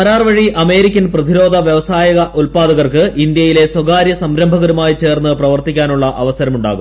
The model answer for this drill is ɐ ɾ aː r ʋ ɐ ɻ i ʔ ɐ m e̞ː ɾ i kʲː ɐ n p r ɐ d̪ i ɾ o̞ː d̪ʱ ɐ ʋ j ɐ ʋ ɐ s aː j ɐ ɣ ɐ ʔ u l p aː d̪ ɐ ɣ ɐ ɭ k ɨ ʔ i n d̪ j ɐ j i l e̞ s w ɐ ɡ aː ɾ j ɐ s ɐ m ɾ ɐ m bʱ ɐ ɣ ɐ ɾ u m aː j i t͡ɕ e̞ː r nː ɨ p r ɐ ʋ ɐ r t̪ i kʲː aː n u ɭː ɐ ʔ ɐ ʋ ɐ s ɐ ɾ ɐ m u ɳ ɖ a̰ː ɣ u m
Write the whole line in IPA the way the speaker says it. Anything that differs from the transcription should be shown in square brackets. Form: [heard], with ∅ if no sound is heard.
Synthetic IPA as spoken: ɐ ɾ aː r ʋ ɐ ɻ i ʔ ɐ m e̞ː ɾ i kʲː ɐ n p r ɐ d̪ i ɾ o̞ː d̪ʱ ɐ ʋ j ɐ ʋ ɐ s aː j ɐ ɣ ɐ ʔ u l p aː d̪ ɐ ɣ ɐ [r] k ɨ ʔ i n d̪ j ɐ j i l e̞ s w ɐ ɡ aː ɾ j ɐ s ɐ m ɾ ɐ m bʱ ɐ ɣ ɐ ɾ u m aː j i t͡ɕ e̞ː r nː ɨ p r ɐ ʋ ɐ r t̪ i kʲː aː n u ɭː ɐ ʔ ɐ ʋ ɐ s ɐ ɾ ɐ m u ɳ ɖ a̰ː ɣ u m